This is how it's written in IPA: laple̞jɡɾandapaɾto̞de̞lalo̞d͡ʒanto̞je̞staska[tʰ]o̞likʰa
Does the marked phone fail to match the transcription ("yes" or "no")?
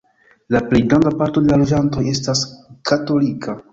yes